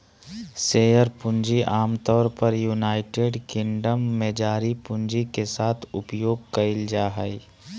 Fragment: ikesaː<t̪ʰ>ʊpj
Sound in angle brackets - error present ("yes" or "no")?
no